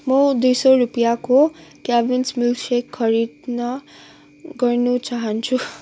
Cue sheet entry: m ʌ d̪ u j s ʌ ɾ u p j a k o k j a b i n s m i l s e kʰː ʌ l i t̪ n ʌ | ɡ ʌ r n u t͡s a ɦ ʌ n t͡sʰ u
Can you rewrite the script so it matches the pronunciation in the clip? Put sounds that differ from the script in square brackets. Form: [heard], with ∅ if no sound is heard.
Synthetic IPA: m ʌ d̪ u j s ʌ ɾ u p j a k o k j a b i n s m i l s e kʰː ʌ [ɾ] i [d̪] n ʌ | ɡ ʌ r n u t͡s a ɦ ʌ n t͡sʰ u